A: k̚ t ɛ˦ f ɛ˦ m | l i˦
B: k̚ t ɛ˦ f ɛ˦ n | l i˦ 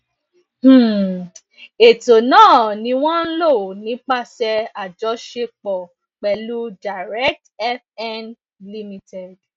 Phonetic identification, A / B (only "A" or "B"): B